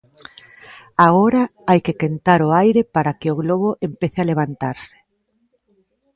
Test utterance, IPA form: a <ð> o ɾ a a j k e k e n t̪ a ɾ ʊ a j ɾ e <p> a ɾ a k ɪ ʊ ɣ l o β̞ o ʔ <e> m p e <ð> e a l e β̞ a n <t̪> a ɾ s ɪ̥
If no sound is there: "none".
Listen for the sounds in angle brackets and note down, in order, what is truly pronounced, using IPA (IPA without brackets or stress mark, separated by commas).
ɣ, p, e, θ, t̪